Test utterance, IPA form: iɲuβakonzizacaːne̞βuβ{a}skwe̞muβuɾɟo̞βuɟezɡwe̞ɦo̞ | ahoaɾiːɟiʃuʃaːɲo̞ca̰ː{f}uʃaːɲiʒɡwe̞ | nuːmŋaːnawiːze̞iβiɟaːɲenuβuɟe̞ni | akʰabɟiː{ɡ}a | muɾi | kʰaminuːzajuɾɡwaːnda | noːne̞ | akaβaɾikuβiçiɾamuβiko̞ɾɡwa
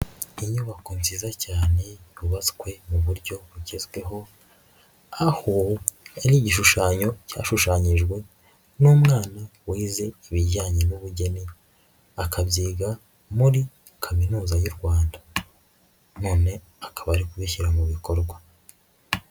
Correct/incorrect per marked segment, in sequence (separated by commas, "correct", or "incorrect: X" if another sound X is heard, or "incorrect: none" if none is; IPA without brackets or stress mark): correct, incorrect: ʃ, correct